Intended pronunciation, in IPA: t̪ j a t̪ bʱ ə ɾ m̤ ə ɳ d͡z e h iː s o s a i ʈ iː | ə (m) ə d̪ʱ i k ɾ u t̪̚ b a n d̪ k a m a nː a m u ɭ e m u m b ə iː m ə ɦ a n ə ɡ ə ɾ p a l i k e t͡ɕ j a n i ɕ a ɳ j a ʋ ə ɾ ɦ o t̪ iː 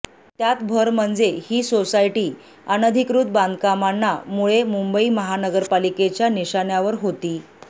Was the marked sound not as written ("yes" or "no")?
yes